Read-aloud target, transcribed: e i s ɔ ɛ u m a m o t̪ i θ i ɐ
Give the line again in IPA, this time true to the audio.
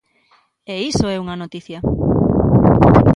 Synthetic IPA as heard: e i s o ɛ u ŋ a n o t̪ i θ j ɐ